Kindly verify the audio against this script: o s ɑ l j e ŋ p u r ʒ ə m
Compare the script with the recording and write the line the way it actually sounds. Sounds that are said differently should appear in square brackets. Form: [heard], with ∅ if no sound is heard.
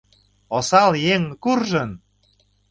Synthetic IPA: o s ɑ l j e ŋ [k] u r ʒ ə [n]